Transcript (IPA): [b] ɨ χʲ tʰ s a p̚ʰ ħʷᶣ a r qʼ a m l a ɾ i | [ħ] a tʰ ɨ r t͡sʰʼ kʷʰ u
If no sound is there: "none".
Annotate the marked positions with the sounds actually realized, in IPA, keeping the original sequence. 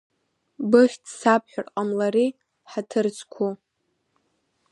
b, ħ

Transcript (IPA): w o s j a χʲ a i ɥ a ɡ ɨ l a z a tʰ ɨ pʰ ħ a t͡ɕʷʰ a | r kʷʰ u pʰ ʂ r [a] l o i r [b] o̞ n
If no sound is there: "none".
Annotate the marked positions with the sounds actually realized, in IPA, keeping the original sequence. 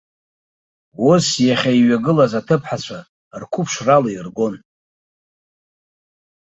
a, ɡ

